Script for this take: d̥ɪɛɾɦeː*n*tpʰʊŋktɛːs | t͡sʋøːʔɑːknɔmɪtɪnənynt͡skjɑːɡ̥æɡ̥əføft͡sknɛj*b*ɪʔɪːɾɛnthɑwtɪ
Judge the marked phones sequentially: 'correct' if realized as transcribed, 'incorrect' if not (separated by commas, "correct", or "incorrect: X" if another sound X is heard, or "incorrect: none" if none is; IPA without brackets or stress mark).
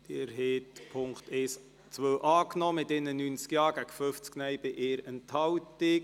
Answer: incorrect: none, correct